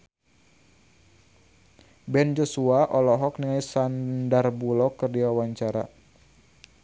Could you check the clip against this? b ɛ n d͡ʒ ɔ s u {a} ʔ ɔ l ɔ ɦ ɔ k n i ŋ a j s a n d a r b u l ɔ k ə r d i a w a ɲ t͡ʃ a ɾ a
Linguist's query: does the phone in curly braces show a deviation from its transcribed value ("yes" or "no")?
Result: no